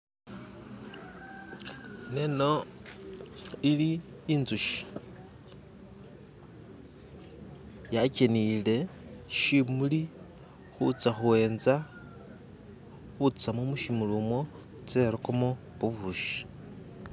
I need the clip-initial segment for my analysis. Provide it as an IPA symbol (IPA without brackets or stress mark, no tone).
n